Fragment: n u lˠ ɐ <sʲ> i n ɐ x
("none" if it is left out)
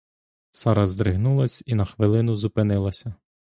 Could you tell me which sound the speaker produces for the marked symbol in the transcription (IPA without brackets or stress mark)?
sʲ